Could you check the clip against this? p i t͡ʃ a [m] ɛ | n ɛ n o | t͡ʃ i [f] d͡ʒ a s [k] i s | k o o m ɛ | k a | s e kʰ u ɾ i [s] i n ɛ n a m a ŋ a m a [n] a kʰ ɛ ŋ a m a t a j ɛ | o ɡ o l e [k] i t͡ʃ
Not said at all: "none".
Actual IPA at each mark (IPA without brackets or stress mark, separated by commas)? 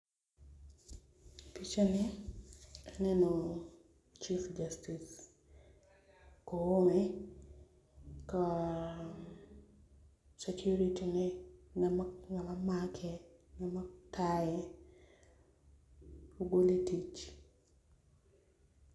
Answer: n, f, t, t, m, t